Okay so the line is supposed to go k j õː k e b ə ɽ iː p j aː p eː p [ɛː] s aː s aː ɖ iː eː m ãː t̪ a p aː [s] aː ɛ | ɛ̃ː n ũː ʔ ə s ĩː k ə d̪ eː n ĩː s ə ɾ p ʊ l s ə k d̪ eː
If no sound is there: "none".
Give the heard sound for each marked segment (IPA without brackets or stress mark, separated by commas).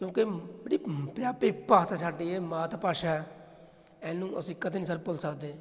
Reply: aː, ʃ